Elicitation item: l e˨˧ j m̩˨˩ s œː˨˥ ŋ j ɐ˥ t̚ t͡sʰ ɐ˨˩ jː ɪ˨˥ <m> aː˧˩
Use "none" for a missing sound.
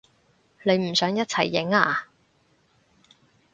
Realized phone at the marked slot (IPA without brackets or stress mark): ŋ